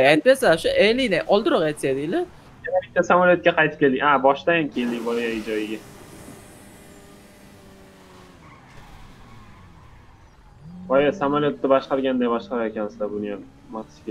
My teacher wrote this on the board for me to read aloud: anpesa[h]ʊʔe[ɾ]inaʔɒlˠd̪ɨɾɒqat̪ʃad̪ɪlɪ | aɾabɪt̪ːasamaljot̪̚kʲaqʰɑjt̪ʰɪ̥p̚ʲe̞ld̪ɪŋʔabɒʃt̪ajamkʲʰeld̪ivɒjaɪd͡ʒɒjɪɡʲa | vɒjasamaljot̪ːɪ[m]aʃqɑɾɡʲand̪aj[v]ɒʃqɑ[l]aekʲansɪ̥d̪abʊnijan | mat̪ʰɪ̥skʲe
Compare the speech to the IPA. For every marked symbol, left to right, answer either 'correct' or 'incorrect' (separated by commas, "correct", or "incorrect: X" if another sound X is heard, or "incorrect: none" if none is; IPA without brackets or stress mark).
incorrect: ʃ, incorrect: l, incorrect: b, incorrect: b, incorrect: ɾ